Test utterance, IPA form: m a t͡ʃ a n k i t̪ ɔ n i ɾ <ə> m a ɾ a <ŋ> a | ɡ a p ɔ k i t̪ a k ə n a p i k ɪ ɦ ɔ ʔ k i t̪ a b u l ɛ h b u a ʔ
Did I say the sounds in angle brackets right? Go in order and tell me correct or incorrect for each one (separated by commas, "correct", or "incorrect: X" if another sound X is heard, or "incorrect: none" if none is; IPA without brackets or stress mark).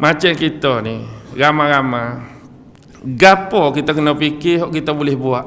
incorrect: a, incorrect: m